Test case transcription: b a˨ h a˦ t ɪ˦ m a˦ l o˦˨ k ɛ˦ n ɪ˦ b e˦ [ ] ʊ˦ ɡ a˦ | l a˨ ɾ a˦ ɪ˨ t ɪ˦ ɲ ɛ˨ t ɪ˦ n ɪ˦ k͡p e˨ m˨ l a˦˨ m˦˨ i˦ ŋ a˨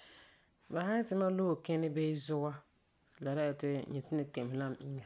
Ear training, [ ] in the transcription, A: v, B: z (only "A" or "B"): B